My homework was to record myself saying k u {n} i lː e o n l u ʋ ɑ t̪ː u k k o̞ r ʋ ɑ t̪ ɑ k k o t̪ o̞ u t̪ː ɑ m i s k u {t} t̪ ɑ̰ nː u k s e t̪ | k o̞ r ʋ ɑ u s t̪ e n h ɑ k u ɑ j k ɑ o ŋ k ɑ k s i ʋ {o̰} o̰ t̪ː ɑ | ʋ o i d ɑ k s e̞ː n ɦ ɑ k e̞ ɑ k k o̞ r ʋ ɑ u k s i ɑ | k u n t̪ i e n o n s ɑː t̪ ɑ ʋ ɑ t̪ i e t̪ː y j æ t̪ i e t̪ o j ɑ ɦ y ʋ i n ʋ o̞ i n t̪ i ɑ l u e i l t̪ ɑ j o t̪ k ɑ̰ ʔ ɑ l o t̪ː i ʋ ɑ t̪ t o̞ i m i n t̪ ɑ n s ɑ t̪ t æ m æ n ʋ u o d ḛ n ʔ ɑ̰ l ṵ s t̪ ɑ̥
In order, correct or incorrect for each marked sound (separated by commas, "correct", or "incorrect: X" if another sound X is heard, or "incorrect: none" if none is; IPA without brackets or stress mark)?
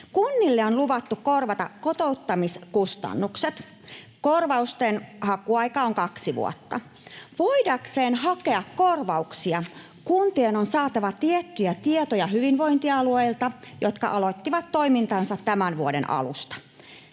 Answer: incorrect: nː, incorrect: s, incorrect: ṵ